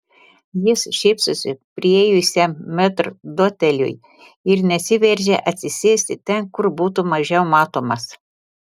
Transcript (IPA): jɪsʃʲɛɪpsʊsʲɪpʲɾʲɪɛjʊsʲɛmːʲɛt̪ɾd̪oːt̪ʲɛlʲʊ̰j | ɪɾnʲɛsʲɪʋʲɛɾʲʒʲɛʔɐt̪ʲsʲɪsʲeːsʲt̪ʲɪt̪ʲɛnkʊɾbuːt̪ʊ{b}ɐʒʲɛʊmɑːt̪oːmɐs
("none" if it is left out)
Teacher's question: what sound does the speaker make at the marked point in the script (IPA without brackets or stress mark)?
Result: m